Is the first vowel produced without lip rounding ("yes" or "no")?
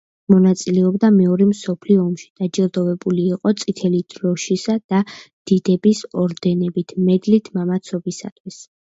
no